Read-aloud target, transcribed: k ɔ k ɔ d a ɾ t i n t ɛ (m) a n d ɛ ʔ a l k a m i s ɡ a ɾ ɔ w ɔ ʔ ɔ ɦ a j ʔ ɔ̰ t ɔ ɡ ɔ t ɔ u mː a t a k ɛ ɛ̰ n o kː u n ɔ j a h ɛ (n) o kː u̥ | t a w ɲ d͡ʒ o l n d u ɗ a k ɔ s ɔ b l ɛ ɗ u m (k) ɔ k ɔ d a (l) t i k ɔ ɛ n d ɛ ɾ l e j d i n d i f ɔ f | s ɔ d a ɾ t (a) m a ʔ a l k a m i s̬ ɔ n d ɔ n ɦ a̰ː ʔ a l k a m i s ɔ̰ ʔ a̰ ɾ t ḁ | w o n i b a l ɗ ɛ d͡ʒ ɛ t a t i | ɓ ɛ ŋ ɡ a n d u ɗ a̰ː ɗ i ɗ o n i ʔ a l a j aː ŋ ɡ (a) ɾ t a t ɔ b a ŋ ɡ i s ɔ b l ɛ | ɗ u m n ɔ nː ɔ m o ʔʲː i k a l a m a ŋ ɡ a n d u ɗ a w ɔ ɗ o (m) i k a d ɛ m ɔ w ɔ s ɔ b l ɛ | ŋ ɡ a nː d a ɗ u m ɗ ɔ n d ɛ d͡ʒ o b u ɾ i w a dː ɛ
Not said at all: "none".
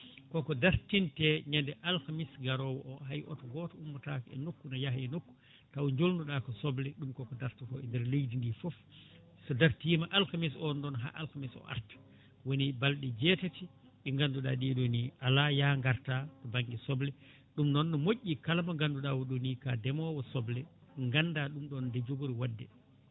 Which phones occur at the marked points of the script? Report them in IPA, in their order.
ɲ, n, k, ɾ, i, a, n

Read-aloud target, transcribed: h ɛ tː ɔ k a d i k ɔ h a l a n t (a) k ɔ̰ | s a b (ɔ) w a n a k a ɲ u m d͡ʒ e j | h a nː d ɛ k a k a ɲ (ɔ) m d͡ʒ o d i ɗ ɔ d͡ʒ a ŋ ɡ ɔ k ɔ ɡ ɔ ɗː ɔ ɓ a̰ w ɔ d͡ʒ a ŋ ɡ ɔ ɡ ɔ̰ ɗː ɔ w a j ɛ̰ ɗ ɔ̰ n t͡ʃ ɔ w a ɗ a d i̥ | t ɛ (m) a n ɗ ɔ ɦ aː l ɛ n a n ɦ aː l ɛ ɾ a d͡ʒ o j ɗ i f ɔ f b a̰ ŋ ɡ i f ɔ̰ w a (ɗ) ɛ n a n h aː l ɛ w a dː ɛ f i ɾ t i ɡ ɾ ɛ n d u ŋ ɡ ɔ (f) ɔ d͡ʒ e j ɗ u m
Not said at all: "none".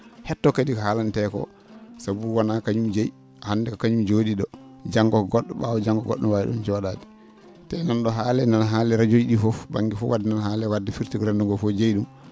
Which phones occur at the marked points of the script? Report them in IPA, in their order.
ɛ, u, u, n, d, f

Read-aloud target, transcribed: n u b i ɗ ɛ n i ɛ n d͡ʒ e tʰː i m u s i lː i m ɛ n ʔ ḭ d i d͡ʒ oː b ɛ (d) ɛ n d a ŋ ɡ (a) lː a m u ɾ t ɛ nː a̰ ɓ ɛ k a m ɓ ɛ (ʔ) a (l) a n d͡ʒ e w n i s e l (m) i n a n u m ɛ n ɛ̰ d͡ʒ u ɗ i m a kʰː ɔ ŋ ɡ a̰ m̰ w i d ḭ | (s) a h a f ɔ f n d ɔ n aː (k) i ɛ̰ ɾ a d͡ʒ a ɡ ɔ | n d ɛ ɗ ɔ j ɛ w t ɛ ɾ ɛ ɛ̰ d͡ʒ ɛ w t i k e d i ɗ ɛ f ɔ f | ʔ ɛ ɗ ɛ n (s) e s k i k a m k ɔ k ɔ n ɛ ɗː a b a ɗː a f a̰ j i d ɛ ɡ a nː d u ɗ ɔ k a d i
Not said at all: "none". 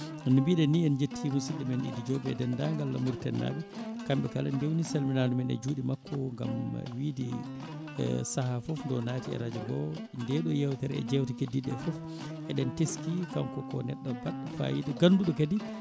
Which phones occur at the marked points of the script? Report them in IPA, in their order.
d, a, k, l, m, s, t, t

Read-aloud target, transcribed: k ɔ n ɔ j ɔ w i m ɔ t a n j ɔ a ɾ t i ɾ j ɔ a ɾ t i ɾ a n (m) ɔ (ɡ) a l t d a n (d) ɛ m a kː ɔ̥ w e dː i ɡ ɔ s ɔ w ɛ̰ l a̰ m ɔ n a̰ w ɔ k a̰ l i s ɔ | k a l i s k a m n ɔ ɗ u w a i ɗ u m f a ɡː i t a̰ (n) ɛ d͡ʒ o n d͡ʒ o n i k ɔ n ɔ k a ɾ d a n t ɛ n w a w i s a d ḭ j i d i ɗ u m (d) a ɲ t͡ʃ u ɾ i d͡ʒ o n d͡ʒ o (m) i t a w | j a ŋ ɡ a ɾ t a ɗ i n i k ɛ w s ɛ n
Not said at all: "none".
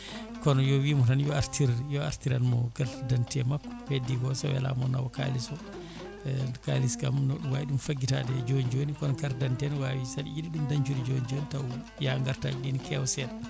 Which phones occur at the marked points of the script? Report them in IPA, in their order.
m, ɡ, t, d, d, n

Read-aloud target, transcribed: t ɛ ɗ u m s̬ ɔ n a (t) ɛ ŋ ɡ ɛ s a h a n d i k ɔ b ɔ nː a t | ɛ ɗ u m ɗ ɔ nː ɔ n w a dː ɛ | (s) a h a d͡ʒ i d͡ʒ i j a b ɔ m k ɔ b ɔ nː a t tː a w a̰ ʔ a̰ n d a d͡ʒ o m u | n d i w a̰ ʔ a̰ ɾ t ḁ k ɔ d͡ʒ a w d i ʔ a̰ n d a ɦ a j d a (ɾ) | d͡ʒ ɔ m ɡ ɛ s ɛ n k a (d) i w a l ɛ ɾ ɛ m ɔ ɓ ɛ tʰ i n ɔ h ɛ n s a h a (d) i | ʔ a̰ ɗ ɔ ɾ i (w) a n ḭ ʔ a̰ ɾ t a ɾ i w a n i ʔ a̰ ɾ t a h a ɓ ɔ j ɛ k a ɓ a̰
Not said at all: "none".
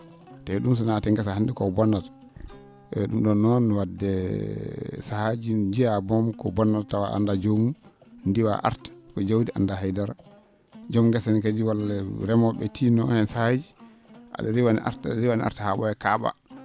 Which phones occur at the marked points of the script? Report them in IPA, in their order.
t, s, ɾ, d͡ʒ, d͡ʒ, w

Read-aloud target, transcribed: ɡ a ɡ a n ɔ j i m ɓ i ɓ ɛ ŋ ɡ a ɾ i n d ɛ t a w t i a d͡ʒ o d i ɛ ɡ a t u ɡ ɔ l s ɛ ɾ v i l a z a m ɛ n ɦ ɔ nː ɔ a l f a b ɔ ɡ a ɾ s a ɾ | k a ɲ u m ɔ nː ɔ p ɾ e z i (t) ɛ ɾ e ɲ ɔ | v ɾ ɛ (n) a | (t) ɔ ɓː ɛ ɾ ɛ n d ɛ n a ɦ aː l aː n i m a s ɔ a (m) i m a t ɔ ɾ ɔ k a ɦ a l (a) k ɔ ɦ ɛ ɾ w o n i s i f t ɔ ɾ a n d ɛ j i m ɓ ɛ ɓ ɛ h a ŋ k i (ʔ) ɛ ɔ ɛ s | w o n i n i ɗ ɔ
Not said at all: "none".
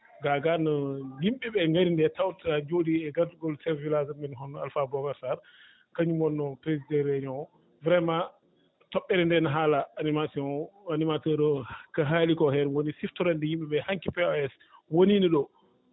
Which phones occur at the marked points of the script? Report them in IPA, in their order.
d, m, t, n, i, p

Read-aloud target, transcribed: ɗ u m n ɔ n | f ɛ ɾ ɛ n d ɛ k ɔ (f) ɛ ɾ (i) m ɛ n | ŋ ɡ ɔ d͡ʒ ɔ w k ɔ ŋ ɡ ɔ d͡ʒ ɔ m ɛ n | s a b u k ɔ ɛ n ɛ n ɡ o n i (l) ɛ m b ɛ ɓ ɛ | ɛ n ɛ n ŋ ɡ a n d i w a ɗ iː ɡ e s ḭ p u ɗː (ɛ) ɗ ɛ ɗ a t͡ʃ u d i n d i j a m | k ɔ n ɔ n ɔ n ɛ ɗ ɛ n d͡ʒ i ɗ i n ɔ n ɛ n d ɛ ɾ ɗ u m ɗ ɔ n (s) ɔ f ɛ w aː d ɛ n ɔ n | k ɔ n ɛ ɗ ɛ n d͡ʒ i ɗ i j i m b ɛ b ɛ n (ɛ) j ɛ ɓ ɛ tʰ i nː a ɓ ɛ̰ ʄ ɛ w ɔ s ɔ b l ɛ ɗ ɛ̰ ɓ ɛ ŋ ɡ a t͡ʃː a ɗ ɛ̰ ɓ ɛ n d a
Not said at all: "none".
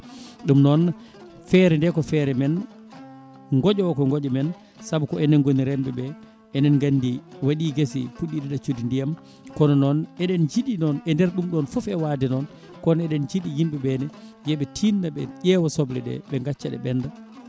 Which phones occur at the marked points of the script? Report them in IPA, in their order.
f, ɛ, ɾ, i, f, ɛ

